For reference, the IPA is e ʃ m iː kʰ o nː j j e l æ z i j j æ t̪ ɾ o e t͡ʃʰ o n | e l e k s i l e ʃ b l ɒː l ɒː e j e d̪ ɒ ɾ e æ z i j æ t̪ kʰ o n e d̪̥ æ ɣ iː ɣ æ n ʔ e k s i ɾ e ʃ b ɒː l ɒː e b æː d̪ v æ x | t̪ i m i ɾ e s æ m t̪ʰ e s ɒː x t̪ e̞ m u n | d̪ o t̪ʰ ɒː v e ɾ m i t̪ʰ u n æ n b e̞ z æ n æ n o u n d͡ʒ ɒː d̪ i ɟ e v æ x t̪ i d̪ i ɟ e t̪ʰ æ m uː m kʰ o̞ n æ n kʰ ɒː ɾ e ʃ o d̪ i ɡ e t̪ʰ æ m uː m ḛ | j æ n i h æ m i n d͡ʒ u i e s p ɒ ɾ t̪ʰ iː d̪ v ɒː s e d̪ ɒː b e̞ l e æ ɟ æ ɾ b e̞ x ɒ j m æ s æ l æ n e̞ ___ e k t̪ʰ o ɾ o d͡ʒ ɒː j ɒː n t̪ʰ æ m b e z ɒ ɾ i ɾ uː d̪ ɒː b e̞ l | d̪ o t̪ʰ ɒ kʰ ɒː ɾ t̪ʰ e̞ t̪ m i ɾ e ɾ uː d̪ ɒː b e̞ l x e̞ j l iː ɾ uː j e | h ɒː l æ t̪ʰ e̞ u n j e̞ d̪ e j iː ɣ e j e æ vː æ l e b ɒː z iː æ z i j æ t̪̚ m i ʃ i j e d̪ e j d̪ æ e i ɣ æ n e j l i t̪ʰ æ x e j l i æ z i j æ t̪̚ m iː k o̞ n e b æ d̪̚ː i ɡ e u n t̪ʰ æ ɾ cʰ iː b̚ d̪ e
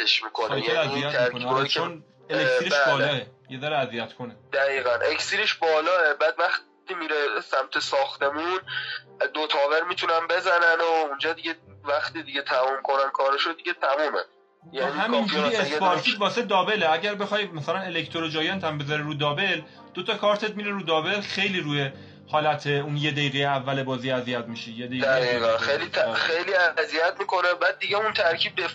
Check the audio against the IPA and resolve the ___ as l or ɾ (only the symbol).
l